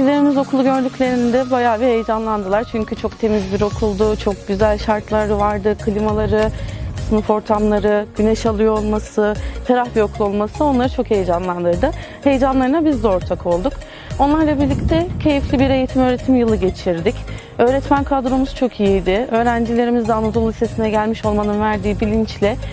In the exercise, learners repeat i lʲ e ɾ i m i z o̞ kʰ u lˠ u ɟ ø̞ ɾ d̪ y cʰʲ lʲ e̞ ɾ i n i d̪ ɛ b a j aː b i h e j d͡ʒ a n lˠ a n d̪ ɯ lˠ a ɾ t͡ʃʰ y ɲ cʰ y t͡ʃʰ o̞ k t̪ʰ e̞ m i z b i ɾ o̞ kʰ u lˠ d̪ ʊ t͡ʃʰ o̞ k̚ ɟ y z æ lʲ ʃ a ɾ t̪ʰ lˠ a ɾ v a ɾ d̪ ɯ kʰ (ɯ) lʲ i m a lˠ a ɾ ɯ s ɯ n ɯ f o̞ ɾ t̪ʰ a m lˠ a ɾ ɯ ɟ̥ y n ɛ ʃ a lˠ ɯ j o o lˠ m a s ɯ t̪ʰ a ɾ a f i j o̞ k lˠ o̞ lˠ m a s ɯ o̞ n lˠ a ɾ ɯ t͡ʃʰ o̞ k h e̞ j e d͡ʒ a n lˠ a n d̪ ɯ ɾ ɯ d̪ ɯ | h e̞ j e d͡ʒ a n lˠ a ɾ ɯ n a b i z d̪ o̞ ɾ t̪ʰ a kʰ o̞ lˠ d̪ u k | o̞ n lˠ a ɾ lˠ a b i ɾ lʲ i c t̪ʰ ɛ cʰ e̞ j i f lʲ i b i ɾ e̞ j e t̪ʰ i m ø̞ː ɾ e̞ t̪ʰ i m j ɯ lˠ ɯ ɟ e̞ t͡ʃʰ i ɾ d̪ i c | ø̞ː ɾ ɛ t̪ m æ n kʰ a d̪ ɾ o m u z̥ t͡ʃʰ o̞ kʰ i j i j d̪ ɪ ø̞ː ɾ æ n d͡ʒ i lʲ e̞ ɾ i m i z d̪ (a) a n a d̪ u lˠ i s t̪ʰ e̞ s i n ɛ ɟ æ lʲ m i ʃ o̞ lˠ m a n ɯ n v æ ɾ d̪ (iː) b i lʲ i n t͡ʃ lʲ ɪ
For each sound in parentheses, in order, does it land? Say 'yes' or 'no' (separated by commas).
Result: yes, no, yes